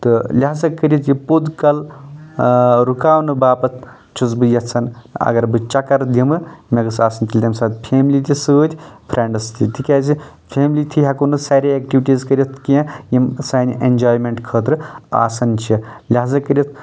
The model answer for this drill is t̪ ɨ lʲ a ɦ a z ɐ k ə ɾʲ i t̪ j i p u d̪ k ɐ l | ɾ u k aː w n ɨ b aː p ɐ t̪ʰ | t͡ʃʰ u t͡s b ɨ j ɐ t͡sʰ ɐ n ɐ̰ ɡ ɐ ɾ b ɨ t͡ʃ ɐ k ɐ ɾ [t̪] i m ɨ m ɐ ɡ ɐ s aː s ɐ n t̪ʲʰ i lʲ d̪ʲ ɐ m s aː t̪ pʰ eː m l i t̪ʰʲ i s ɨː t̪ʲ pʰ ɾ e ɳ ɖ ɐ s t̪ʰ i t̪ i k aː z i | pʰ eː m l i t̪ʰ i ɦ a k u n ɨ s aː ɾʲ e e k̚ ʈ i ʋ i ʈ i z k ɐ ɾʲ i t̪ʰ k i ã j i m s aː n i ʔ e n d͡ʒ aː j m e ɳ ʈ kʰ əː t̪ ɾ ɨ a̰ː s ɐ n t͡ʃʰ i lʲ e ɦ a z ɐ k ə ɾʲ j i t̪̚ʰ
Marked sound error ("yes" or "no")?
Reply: yes